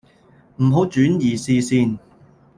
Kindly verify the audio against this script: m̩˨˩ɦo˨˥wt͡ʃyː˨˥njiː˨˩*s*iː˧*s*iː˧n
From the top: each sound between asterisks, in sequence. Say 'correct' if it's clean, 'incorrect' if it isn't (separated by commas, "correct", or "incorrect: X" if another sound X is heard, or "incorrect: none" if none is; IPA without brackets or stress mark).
correct, correct